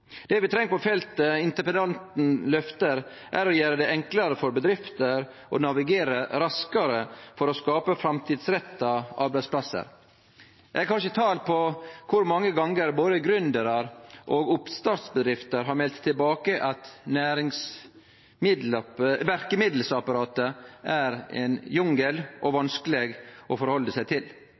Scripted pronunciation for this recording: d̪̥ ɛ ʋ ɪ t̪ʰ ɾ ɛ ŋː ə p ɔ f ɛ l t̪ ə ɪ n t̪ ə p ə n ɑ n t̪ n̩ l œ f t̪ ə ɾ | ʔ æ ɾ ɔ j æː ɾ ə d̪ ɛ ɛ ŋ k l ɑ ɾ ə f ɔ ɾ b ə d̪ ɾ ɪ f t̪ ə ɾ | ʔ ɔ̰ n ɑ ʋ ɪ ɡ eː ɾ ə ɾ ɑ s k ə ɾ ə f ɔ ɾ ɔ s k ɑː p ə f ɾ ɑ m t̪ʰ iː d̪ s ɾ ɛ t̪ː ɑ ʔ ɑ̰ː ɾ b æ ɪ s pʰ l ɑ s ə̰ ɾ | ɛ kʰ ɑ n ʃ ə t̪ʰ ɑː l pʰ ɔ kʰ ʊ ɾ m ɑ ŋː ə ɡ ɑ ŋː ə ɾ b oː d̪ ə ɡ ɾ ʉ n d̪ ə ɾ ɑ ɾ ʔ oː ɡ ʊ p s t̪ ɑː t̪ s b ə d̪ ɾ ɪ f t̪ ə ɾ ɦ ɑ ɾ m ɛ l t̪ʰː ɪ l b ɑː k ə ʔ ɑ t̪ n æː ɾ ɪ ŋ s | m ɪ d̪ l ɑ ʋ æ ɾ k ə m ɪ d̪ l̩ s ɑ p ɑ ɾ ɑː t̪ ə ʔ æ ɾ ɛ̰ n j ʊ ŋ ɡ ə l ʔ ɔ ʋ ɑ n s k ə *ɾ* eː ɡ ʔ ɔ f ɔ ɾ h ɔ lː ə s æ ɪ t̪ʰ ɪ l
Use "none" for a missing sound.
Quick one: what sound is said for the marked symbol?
l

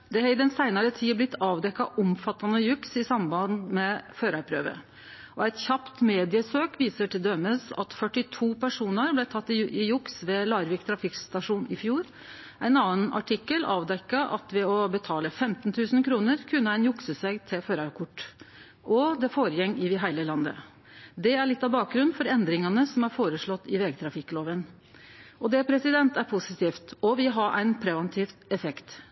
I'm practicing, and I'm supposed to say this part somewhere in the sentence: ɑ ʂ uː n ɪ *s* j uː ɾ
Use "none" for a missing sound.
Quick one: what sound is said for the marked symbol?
f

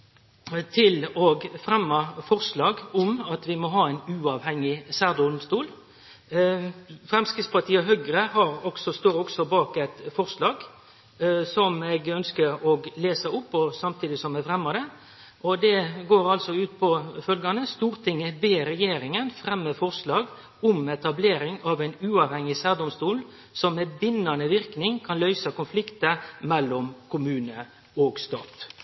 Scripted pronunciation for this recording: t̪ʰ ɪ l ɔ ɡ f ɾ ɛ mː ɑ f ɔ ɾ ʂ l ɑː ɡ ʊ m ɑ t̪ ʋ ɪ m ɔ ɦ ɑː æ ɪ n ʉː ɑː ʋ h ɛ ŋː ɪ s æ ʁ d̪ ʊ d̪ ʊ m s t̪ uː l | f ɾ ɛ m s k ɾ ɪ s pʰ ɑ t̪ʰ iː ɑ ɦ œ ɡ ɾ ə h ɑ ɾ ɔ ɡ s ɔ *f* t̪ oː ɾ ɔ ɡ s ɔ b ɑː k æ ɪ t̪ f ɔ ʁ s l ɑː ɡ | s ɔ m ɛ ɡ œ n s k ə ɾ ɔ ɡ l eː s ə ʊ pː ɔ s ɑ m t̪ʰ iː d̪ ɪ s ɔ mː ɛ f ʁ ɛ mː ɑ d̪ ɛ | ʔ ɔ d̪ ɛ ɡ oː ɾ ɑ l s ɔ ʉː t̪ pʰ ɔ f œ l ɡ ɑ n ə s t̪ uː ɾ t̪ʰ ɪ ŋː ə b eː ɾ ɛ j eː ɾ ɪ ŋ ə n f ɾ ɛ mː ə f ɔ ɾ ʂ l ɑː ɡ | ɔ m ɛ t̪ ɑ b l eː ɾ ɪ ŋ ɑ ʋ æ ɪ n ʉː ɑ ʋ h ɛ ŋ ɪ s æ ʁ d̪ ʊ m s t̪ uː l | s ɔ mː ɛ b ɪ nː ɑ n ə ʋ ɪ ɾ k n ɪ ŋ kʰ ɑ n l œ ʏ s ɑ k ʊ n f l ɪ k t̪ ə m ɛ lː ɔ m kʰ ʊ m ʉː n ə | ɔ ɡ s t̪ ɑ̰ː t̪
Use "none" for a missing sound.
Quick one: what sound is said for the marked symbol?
s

